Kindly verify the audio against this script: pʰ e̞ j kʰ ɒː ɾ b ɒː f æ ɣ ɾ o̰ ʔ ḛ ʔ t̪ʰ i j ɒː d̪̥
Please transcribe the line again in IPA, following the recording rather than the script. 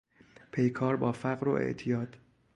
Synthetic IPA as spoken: pʰ e̞ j kʰ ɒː ɾ b ɒː f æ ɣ ɾ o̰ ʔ ḛ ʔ t̪ʰ i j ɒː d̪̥

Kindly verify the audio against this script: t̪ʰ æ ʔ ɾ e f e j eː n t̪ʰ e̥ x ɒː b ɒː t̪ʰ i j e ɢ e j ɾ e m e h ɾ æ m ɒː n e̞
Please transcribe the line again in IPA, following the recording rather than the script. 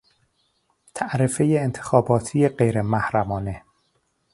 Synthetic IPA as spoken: t̪ʰ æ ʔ ɾ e f e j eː n t̪ʰ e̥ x ɒː b ɒː t̪ʰ i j e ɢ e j ɾ e m æ h ɾ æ m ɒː n e̞

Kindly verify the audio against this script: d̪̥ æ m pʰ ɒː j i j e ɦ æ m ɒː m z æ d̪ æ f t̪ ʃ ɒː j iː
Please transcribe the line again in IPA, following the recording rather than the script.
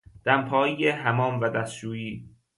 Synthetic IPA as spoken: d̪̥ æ m pʰ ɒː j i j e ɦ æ m ɒː m v æ d̪ æ s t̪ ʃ uː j iː

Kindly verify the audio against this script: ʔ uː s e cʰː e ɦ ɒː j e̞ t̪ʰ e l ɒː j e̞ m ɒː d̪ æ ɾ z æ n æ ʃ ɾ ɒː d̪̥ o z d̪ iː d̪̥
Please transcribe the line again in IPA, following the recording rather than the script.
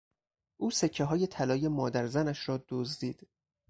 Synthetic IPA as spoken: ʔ uː s e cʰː e ɦ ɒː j e̞ t̪ʰ æ l ɒː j e̞ m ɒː d̪ æ ɾ z æ n æ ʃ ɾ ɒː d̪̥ o z d̪ iː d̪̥

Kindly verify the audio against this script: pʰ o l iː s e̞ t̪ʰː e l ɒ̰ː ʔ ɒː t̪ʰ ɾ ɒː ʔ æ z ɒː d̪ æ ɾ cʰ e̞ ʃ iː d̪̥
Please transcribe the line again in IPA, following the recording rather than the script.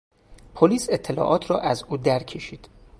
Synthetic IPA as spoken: pʰ o l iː s e̞ t̪ʰː e l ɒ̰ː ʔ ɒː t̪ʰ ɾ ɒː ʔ æ z uː d̪ æ ɾ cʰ e̞ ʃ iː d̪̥

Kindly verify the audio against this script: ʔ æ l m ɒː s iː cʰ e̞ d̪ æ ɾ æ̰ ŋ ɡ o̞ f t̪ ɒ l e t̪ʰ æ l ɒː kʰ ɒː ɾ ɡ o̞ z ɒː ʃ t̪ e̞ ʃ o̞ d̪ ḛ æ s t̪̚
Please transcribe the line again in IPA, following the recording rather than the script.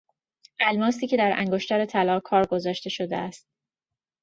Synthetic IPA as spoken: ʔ æ l m ɒː s iː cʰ e̞ d̪ æ ɾ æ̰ ŋ ɡ o̞ ʃ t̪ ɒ ɾ e t̪ʰ æ l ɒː kʰ ɒː ɾ ɡ o̞ z ɒː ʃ t̪ e̞ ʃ o̞ d̪ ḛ æ s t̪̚

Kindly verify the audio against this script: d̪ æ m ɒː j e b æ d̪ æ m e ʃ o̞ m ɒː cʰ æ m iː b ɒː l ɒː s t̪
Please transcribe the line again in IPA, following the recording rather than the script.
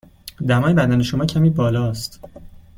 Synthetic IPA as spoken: d̪ æ m ɒː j e b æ d̪ æ n e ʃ o̞ m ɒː cʰ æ m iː b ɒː l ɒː s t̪

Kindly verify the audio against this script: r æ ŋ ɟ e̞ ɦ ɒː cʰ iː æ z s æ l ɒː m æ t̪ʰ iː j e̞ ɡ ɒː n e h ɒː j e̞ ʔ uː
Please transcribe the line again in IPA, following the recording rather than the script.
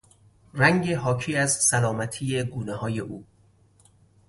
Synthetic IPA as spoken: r æ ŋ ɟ e̞ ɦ ɒː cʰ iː æ z s æ l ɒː m æ t̪ʰ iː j e̞ ɡ uː n e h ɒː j e̞ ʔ uː

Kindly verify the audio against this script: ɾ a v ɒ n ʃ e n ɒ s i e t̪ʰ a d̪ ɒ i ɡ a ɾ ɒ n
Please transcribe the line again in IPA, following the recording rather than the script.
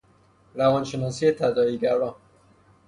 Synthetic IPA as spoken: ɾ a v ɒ n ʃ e n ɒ s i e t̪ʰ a d̪ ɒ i ɡ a ɾ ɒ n

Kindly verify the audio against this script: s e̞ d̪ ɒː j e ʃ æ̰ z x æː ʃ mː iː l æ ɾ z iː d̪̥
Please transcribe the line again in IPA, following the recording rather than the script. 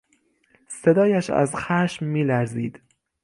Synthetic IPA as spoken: s e̞ d̪ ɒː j æ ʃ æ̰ z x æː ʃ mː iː l æ ɾ z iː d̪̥

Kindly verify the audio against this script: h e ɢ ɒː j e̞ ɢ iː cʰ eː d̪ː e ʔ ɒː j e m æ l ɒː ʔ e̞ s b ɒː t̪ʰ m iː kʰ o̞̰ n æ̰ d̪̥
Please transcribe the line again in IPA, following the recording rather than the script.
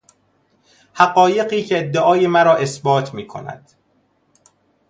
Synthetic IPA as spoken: h æ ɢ ɒː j e̞ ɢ iː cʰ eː d̪ː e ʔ ɒː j e m æ ɾ ɒː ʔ e̞ s b ɒː t̪ʰ m iː kʰ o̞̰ n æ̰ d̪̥

